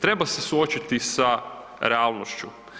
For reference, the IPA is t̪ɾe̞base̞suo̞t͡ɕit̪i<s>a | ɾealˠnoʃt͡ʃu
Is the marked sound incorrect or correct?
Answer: correct